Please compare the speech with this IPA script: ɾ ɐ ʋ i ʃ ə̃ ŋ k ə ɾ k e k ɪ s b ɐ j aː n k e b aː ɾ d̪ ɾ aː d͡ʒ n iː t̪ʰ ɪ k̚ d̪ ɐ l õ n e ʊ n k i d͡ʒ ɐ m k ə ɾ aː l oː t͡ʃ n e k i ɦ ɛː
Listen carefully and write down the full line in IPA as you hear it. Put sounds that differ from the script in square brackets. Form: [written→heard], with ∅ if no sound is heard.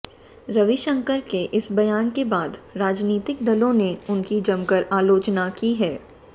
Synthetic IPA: ɾ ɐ ʋ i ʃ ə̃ ŋ k ə ɾ k e [k→ʔ] ɪ s b ɐ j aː n k e b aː [ɾ→∅] d̪ ɾ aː d͡ʒ n iː [t̪ʰ→t̪] ɪ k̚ d̪ ɐ l õ n e ʊ n k i d͡ʒ ɐ m k ə ɾ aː l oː t͡ʃ n [e→a] k i ɦ ɛː